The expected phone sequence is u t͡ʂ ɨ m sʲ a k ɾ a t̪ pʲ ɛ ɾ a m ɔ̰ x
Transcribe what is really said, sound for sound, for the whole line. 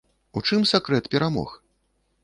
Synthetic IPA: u t͡ʂ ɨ m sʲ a k ɾ ɛ t̪ pʲ ɛ ɾ a m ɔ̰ x